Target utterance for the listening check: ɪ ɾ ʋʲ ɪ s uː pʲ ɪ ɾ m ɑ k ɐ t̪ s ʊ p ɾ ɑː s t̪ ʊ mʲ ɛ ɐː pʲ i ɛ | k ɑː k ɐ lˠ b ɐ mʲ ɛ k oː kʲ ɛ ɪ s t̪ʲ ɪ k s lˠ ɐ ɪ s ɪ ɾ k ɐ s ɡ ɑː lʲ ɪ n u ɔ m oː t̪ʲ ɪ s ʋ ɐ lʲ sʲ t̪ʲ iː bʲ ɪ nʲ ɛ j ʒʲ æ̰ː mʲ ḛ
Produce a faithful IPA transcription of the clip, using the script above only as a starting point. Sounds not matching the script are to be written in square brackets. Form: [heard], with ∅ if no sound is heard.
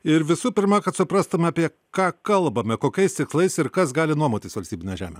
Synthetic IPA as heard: ɪ ɾ ʋʲ ɪ s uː pʲ ɪ ɾ m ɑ k ɐ t̪ s ʊ p ɾ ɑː s t̪ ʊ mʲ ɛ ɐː pʲ i ɛ | k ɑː k ɐ lˠ b ɐ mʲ ɛ k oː kʲ ɛ ɪ s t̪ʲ ɪ k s lˠ ɐ ɪ s ɪ ɾ k ɐ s ɡ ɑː lʲ ɪ n u ɔ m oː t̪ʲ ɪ s ʋ ɐ lʲ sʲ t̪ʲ iː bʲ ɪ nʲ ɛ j ʒʲ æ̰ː mʲ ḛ